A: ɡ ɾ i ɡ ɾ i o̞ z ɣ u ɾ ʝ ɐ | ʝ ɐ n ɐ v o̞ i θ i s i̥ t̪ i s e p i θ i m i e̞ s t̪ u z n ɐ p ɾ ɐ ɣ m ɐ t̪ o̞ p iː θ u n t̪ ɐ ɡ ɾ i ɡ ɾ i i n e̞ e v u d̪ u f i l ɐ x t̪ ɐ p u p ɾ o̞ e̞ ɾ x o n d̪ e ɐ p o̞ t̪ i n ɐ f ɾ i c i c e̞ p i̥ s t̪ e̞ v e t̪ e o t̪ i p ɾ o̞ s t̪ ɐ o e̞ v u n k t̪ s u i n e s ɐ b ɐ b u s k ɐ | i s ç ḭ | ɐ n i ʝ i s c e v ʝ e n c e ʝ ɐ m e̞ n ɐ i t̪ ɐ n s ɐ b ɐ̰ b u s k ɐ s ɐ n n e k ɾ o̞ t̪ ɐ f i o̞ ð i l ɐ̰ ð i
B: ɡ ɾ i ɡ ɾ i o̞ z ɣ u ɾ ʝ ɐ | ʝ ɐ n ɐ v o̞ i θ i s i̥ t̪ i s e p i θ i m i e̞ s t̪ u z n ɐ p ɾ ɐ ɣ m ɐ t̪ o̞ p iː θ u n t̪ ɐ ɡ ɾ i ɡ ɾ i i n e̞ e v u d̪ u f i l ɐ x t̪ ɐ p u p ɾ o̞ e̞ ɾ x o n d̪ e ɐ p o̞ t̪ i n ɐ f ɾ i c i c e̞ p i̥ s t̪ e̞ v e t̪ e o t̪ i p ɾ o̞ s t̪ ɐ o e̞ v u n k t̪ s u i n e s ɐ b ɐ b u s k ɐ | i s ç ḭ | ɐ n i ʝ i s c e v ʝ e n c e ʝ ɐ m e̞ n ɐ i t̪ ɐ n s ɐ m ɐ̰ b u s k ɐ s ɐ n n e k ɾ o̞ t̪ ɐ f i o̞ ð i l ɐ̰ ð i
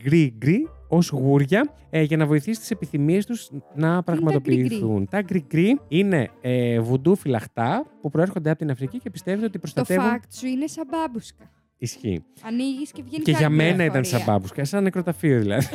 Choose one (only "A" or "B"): A